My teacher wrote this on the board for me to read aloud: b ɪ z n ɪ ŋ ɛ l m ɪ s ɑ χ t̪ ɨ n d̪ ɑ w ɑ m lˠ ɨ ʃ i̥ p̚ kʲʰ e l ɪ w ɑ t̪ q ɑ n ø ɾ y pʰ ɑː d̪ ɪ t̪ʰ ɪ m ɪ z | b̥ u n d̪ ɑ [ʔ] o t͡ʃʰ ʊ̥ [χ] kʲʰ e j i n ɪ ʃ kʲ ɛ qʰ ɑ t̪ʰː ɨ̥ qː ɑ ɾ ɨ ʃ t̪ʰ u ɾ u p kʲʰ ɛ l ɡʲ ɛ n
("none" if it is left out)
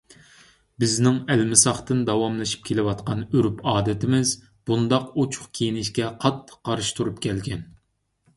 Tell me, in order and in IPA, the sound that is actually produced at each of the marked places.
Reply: q, χ

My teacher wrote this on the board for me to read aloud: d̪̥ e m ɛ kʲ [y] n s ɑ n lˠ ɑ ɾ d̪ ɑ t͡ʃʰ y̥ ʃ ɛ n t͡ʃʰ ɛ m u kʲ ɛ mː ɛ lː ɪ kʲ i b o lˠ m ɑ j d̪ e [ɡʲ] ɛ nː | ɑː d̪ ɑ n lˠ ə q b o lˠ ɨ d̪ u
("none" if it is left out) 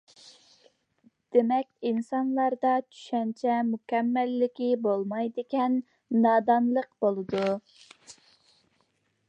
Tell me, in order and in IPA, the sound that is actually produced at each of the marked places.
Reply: i, kʲ

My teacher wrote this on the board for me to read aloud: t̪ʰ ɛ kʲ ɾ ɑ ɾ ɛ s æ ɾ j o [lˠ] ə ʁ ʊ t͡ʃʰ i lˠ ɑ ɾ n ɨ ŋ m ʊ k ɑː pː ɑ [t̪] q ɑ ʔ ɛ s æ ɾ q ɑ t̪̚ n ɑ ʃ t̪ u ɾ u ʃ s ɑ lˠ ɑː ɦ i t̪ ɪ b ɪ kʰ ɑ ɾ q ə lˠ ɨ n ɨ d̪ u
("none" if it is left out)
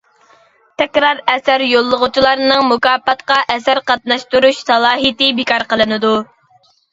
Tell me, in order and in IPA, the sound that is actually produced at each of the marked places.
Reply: lˠː, t̪

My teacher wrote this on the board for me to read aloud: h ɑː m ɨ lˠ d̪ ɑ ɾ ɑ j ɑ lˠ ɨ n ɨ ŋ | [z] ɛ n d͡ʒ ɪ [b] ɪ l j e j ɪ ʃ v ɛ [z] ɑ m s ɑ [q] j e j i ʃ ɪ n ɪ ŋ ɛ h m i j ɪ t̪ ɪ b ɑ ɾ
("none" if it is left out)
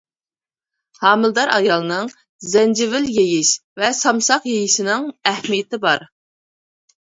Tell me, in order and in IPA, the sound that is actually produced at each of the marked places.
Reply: z, v, s, q

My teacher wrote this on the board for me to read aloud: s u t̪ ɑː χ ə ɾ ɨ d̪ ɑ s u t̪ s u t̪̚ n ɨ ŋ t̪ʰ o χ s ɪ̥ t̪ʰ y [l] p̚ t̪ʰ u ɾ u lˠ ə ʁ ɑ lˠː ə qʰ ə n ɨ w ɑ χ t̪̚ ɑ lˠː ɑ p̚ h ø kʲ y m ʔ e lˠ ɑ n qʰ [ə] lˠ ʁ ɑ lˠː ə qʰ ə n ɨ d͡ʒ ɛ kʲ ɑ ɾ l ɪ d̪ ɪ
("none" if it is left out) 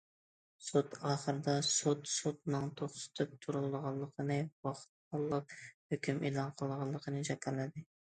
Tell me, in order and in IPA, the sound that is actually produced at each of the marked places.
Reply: none, ə

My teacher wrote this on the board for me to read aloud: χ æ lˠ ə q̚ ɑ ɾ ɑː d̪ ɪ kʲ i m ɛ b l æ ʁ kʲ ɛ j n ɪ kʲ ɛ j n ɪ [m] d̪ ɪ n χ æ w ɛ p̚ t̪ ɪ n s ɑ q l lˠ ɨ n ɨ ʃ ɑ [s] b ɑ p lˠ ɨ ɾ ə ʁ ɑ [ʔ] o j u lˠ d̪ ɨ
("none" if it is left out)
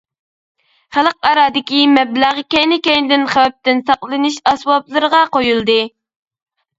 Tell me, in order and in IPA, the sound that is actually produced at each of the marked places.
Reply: none, s, q

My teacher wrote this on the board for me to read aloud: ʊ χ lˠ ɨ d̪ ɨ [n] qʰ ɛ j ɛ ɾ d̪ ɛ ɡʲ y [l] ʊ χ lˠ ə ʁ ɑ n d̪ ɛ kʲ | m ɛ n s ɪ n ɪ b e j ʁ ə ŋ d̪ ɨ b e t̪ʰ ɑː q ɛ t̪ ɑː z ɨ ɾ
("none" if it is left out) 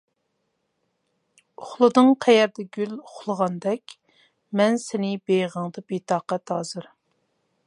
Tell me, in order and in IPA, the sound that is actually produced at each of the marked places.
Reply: ŋ, l

